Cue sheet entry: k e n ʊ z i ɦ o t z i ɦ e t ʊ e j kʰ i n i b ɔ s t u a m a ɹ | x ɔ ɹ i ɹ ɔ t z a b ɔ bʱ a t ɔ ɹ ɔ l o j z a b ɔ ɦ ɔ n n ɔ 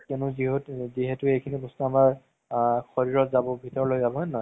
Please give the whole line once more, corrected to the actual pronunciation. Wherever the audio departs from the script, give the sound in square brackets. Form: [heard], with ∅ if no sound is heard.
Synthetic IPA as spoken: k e n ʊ z i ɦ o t z i ɦ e t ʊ e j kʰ i n i b ɔ s t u a m a ɹ | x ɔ ɹ i ɹ ɔ t z a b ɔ bʱ [i] t ɔ ɹ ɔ l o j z a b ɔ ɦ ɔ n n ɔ